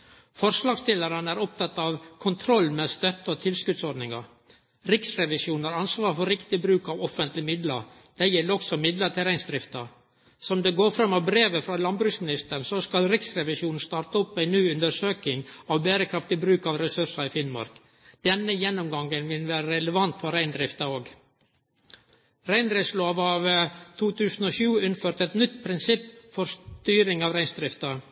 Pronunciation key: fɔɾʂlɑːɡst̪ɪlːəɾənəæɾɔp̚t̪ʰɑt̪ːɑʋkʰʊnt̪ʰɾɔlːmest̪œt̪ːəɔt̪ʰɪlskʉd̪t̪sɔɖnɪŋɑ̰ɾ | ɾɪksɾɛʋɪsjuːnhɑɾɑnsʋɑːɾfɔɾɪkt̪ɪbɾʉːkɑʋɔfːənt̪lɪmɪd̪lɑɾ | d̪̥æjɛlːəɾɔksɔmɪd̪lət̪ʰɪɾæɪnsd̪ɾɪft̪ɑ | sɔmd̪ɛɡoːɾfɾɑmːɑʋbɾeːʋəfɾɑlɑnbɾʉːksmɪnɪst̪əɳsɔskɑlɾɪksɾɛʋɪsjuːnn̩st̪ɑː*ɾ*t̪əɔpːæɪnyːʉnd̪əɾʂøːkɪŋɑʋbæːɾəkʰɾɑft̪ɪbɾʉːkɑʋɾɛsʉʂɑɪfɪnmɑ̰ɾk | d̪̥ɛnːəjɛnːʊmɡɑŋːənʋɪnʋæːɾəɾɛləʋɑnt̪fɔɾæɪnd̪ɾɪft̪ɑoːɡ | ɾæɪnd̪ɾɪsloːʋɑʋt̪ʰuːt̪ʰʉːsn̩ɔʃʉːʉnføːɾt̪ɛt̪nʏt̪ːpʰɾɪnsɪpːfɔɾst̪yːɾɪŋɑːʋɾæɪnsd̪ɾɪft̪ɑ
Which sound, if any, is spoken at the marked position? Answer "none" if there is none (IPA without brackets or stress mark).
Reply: ɾ